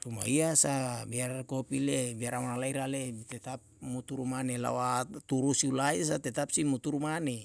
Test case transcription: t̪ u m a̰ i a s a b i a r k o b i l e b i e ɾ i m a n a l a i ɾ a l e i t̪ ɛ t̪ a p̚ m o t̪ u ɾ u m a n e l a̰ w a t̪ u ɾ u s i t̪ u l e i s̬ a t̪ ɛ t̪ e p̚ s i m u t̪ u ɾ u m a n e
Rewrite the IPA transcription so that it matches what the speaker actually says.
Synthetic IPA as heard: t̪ u m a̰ i a s a b i a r k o p i l e b i a ɾ a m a n a l a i ɾ a l e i t̪ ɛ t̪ a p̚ m u t̪ u ɾ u m a n e l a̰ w a t̪ u ɾ u s i u l a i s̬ a t̪ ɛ t̪ a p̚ s i m u t̪ u ɾ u m a n e